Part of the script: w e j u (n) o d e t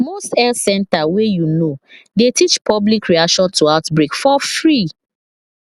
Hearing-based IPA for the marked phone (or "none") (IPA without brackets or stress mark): n